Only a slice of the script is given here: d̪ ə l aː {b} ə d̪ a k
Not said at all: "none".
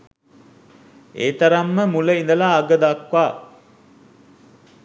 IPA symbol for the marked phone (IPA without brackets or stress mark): ɡ